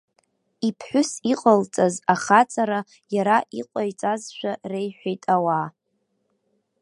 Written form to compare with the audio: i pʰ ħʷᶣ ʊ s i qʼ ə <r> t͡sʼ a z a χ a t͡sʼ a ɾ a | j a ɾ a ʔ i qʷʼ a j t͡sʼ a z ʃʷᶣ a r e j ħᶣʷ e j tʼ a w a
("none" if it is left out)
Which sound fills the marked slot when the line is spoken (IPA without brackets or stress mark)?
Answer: l